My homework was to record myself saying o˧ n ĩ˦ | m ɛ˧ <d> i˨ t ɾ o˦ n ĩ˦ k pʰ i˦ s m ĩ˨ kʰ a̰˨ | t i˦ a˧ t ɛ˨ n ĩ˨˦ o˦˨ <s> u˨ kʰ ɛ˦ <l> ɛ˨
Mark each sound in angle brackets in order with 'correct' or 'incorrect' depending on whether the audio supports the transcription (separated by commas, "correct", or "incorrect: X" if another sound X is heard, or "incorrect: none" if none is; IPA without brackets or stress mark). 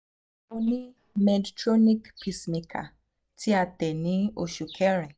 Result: correct, incorrect: ʃ, incorrect: ɾ